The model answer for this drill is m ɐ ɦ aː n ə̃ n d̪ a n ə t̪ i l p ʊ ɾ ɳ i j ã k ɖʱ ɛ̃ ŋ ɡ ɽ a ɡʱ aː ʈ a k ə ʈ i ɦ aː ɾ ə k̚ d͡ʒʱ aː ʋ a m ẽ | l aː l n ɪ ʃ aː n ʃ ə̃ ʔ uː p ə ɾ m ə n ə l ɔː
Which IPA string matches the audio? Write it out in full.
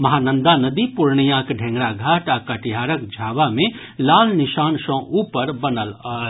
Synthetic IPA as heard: m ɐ ɦ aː n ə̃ n d̪ a n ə d̪ i p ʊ ɾ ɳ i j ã k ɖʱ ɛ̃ ŋ ɡ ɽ a ɡʱ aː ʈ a k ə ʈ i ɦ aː ɾ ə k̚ d͡ʒʱ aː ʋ a m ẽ | l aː l n ɪ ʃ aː n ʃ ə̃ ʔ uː p ə ɾ b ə n ə l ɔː